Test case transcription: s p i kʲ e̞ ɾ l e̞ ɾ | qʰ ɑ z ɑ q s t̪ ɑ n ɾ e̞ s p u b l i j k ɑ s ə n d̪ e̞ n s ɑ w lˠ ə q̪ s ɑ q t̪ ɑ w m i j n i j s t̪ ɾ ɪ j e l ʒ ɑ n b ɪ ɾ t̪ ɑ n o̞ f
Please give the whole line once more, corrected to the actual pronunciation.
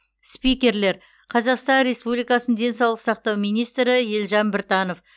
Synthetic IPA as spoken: s p i kʲ e̞ ɾ l e̞ ɾ | qʰ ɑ z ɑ q s t̪ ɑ n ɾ e̞ s p u b l i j k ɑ s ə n d̪ e̞ n s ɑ w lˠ ə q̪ s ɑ q t̪ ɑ w m i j n i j s t̪ ɾ ɪ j e l ʒ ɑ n b ɪ ɾ t̪ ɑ n o̞ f

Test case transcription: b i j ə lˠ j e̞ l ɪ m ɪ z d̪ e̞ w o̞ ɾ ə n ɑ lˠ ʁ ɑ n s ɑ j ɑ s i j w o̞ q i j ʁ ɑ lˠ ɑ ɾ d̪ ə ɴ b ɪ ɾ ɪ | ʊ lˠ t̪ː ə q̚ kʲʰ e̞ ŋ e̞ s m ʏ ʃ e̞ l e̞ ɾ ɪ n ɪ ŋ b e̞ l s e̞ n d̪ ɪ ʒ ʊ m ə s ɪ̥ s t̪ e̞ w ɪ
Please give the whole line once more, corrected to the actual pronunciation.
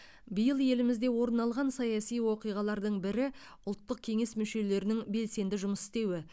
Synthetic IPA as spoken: b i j ə lˠ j e̞ l ɪ m ɪ z d̪ e̞ w o̞ ɾ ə n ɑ lˠ ʁ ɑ n s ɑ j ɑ s i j w o̞ q i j ʁ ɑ lˠ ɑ ɾ d̪ ə ɴ b ɪ ɾ ɪ | ʊ lˠ t̪ː ə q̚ kʲʰ e̞ ŋ e̞ s m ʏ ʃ e̞ l e̞ ɾ ɪ n ɪ ŋ b e̞ l s e̞ n d̪ ɪ ʒ ʊ m ə s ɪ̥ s t̪ e̞ w ɪ

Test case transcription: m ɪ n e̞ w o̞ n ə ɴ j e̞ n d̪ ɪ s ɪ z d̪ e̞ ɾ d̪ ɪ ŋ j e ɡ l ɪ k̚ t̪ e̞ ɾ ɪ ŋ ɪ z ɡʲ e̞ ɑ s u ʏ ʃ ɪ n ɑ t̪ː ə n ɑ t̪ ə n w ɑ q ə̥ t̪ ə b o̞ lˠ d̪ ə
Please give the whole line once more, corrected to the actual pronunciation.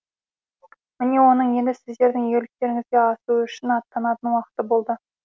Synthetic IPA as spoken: m ɪ n e̞ w o̞ n ə ɴ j e̞ n d̪ ɪ s ɪ z d̪ e̞ ɾ d̪ ɪ ŋ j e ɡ l ɪ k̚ t̪ e̞ ɾ ɪ ŋ ɪ z ɡʲ e̞ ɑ s u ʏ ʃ ɪ n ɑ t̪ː ɑ n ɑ t̪ ə n w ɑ q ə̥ t̪ ə b o̞ lˠ d̪ ə

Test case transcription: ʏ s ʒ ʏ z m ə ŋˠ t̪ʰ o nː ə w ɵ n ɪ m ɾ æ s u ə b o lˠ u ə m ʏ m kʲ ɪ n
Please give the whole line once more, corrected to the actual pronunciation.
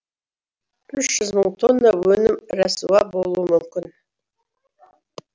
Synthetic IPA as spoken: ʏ ʃ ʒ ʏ z m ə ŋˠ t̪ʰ o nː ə w ɵ n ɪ m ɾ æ s u ɑ b o lˠ u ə m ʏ m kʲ ɪ n

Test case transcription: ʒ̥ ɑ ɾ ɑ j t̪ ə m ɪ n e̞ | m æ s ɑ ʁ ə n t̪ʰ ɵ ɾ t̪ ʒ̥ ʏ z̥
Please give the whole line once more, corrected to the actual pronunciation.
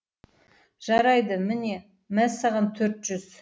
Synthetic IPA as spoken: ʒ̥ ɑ ɾ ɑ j d̪ ə m ɪ n e̞ | m æ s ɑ ʁ ɑ n t̪ʰ ɵ ɾ t̪ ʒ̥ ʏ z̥

